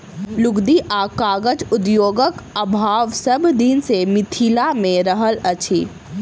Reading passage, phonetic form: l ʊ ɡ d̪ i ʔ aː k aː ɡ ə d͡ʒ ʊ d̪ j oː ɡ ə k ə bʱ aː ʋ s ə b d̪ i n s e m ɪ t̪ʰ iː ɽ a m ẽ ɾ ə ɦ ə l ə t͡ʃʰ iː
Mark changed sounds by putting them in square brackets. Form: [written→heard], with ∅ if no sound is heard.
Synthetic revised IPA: l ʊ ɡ d̪ i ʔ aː k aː ɡ ə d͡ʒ ʊ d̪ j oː ɡ ə k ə bʱ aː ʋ s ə b d̪ i n s e m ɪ t̪ʰ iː [ɽ→l] a m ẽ ɾ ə ɦ ə l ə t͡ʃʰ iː